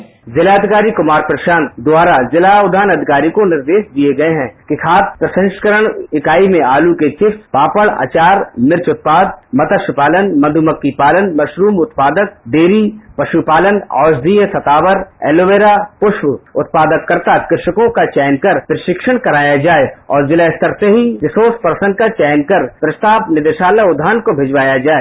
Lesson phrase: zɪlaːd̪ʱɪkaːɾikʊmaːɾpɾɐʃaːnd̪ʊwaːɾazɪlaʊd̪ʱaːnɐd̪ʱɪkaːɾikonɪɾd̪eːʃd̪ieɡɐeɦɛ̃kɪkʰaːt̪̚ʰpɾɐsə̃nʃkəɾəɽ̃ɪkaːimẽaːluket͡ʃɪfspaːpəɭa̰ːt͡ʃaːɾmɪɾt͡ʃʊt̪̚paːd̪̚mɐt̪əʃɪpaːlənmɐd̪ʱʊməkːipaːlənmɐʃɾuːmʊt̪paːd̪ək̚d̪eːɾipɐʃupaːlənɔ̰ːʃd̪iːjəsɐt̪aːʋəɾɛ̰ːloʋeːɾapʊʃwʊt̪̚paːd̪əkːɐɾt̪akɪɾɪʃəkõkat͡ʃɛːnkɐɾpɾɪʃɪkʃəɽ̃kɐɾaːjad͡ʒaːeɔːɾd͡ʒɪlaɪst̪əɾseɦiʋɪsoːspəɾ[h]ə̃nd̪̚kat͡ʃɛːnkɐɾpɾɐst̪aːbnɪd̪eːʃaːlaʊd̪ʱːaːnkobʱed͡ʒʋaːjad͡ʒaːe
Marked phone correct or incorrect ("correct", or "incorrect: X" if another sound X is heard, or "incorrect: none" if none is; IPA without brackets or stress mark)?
incorrect: s